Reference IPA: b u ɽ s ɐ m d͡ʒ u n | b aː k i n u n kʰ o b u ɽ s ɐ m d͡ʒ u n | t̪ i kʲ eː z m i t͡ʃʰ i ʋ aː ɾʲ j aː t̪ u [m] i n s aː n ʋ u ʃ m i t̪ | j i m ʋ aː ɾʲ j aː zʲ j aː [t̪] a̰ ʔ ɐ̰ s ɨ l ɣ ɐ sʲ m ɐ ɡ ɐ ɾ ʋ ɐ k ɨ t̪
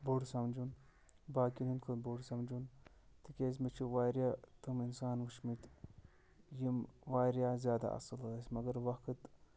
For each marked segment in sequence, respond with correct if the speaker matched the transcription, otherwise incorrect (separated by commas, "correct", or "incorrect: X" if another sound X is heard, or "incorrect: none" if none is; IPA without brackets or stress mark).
correct, incorrect: d̪